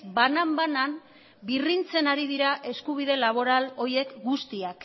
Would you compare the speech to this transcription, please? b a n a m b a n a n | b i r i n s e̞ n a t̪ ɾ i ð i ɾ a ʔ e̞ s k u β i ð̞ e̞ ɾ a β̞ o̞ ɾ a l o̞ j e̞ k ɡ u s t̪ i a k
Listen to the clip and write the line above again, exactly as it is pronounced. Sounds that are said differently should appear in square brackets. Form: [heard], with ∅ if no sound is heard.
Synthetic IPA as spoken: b a n a m b a n a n | b i r i n [t͡s] e̞ n a [∅] ɾ i ð i ɾ a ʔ e̞ s k u β i ð̞ e̞ [l] a β̞ o̞ ɾ a l o̞ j e̞ k ɡ u s t̪ i a k